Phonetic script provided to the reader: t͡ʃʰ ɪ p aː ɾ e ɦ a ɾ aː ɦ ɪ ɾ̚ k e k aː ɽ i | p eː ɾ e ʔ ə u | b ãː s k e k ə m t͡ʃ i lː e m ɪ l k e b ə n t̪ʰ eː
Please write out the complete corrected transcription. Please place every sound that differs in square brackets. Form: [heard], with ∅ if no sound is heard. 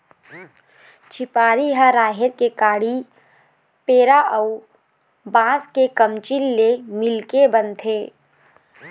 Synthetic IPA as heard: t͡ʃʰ ɪ p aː ɾ [i] ɦ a ɾ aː ɦ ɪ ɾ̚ k e k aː ɽ i | p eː ɾ [a] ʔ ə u | b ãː s k e k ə m t͡ʃ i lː e m ɪ l k e b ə n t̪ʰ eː